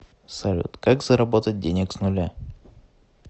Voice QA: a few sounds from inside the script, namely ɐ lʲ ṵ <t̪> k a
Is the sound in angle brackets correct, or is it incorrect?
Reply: correct